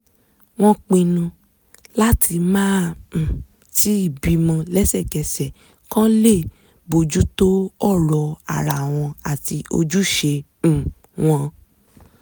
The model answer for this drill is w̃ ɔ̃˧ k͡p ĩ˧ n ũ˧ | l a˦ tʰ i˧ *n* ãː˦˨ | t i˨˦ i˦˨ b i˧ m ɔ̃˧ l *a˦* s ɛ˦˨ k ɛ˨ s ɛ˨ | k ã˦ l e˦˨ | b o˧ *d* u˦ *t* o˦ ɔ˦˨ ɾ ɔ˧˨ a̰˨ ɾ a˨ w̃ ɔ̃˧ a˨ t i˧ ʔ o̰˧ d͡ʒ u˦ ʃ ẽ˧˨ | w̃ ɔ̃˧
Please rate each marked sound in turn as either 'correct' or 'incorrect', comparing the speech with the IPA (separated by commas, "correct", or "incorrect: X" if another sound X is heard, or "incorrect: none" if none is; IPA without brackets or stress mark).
incorrect: m, incorrect: ɛ˦, incorrect: d͡ʒ, correct